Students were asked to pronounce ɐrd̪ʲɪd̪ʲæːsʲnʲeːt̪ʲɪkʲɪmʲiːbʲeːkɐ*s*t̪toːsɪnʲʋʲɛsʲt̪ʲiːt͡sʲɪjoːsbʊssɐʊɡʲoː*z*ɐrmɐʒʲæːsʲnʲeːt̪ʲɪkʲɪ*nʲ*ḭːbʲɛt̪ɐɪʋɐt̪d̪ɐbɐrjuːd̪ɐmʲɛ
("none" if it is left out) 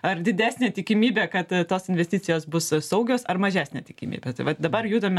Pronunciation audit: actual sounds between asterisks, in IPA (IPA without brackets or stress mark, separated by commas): none, s, mʲ